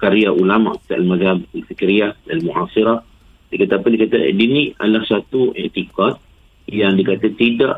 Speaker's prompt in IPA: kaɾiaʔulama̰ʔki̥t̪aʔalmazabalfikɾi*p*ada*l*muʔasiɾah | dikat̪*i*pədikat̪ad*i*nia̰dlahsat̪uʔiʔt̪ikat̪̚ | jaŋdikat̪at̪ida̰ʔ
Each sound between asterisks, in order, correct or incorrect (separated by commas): incorrect, correct, incorrect, correct